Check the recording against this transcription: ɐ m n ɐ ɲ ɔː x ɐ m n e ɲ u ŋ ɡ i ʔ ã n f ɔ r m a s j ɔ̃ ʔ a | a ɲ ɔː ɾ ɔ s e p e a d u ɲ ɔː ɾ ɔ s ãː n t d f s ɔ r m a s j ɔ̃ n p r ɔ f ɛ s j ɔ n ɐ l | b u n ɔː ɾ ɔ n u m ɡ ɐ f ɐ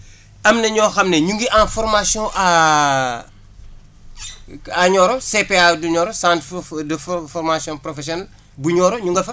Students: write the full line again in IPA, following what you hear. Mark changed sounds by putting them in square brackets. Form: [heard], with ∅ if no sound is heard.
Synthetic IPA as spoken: ɐ m n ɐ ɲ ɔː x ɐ m n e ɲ u ŋ ɡ i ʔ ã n f ɔ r m a s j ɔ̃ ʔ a | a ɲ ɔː ɾ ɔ s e p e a d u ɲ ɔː ɾ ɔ s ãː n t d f [f] ɔ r m a s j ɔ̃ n p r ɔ f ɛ s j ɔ n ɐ l | b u [ɲ] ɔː ɾ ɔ [ɲ] u [ŋ] ɡ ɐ f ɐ